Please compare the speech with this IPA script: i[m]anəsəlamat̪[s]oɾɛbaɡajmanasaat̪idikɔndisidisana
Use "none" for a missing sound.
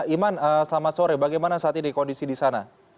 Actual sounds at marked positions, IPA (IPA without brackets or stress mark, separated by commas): m, s